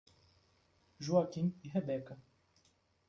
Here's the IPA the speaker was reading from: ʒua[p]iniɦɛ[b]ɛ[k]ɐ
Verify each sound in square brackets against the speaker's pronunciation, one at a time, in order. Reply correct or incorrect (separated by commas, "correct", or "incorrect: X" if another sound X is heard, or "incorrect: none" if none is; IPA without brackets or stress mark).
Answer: incorrect: k, correct, correct